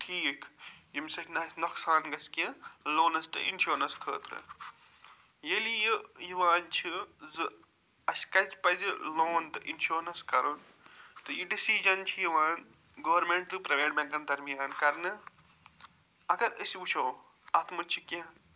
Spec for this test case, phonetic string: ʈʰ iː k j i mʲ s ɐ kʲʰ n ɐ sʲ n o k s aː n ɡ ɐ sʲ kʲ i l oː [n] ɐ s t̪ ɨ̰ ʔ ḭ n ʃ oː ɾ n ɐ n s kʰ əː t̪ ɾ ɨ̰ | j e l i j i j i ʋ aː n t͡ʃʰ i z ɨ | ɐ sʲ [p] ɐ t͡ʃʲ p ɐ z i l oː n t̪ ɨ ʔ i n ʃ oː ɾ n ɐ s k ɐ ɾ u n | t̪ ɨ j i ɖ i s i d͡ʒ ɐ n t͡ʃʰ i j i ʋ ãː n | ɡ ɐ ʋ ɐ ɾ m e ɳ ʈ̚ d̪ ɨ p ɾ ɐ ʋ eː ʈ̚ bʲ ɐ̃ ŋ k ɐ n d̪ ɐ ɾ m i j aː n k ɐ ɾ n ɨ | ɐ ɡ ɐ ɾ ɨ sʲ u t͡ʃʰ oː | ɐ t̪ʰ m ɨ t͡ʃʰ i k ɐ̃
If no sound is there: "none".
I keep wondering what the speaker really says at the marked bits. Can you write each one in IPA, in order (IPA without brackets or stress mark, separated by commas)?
n, k